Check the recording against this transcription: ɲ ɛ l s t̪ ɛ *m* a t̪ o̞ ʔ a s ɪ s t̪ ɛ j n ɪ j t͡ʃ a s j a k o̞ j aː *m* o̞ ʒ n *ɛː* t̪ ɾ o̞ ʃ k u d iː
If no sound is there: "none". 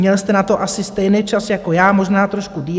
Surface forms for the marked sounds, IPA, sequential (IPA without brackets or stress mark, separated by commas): n, m, aː